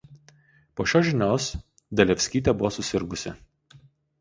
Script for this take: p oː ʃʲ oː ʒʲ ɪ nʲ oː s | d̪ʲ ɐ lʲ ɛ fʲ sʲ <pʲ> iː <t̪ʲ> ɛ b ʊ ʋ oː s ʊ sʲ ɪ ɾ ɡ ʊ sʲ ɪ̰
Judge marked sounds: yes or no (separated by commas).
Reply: no, yes